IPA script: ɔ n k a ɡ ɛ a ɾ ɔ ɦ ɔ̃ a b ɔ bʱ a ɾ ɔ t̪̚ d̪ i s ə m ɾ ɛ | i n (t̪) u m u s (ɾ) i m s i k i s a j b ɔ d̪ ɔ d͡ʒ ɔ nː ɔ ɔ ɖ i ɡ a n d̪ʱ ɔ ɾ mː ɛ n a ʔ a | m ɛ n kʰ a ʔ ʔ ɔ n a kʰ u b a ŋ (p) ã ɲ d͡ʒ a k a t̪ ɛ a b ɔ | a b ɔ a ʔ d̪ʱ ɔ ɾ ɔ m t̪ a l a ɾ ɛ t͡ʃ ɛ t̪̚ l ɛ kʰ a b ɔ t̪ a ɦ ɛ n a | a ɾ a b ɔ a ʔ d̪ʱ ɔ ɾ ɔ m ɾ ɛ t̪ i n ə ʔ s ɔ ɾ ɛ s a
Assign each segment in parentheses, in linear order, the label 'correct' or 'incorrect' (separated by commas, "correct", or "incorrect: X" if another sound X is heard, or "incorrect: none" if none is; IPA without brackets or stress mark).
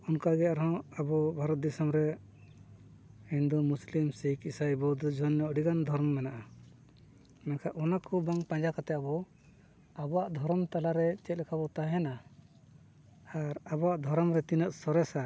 incorrect: d̪, incorrect: l, correct